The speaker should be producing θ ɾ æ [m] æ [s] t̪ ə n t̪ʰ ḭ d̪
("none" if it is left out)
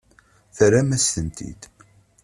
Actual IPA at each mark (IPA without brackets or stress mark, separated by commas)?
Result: m, s